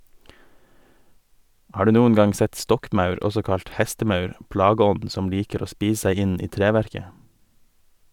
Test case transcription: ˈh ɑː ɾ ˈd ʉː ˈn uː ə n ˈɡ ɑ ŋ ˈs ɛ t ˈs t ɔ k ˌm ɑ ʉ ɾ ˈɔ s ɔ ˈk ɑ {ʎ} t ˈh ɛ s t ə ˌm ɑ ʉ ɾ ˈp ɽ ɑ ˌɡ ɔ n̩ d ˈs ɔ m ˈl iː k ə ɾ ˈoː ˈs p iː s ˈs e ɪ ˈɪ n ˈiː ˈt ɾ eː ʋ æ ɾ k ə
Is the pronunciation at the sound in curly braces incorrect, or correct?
correct